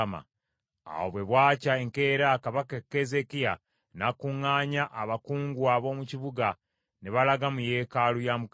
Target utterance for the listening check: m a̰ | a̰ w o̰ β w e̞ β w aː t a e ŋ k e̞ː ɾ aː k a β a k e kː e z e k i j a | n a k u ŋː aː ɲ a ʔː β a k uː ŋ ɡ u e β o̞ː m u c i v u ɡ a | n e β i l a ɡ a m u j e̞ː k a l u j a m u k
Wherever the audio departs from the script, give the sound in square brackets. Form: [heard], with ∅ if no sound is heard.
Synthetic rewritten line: m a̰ | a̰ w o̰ β w e̞ β w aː [c] a e ŋ k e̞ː ɾ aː k a β a k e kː e z e k i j a | n a k u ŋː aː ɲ a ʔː β a k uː ŋ ɡ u [a] β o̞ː m u c i [β] u ɡ a | n e β [a] l a ɡ a m u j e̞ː k a l u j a m u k

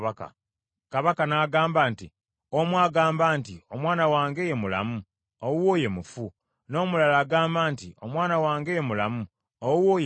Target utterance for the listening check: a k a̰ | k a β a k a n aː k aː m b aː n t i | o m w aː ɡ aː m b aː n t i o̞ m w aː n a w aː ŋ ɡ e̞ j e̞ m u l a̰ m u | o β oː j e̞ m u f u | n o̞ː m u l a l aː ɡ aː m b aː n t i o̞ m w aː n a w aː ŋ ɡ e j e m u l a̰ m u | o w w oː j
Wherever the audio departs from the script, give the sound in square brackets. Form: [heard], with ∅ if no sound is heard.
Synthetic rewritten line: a k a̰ | k a β a k a n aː [ɡ] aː m b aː n t i | o m w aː ɡ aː m b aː n t i o̞ m w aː n a w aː ŋ ɡ e̞ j e̞ m u l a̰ m u | o [w] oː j e̞ m u f u | n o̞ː m u l a l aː ɡ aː m b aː n t i o̞ m w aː n a w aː ŋ ɡ e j e m u l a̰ m u | o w w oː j

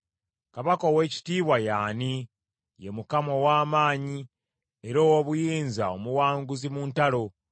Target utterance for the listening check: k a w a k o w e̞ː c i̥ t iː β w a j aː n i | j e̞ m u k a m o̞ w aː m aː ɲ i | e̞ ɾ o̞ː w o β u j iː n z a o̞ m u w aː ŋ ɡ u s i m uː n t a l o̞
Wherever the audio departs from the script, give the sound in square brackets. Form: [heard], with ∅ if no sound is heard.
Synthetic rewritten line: k a [β] a k o w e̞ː c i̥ t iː β w a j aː n i | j e̞ m u k a m o̞ w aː m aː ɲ i | e̞ ɾ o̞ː w o β u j iː n z a o̞ m u w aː ŋ ɡ u [z] i m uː n t a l o̞

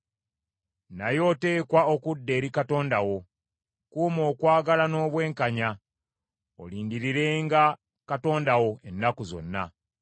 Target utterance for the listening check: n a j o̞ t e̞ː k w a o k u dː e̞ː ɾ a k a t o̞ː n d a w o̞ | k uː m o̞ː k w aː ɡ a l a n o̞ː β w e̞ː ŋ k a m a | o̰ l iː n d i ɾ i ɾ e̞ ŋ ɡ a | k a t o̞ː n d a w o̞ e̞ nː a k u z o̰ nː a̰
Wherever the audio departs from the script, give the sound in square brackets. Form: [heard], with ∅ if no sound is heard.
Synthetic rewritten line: n a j o̞ t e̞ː k w a o k u dː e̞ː ɾ [i] k a t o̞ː n d a w o̞ | k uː m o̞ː k w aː ɡ a l a n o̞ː β w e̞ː ŋ k a [ɲ] a | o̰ l iː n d i ɾ i ɾ e̞ ŋ ɡ a | k a t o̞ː n d a w o̞ e̞ nː a k u z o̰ nː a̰

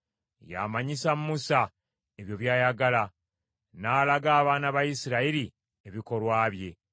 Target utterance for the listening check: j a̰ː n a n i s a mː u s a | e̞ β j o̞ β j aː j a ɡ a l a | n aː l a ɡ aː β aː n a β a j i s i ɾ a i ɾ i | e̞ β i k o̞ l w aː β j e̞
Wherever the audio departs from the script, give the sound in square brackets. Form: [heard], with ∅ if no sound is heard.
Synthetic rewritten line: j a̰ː [m] a [ɲ] i s a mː u s a | e̞ β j o̞ β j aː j a ɡ a l a | n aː l a ɡ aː β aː n a β a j i s i ɾ a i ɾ i | e̞ β i k o̞ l w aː β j e̞

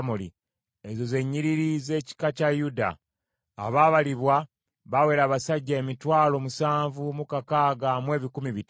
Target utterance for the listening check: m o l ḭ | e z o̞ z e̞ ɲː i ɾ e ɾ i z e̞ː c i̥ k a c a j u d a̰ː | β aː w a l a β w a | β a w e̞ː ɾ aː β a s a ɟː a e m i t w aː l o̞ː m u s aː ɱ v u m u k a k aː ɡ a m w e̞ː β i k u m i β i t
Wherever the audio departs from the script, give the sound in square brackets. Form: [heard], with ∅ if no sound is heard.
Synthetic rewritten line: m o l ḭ | e z o̞ z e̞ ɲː i ɾ [i] ɾ i z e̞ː c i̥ k a c a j u d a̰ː | β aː [β] a l [i] β w a | β a w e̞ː ɾ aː β a s a ɟː a e m i t w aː l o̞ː m u s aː ɱ v u m u k a k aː ɡ a m w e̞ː β i k u m i β i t

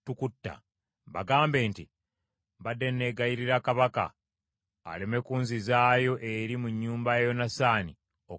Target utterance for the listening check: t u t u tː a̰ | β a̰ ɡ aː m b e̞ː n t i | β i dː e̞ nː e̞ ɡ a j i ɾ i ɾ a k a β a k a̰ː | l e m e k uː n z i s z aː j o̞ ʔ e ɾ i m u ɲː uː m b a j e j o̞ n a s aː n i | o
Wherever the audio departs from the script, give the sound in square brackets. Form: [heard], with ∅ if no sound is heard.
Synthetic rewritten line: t u [k] u tː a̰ | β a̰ ɡ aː m b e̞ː n t i | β [a] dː e̞ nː e̞ ɡ a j i ɾ i ɾ a k a β a k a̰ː | l e m e k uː n z i [∅] z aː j o̞ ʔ e ɾ i m u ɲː uː m b a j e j o̞ n a s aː n i | o

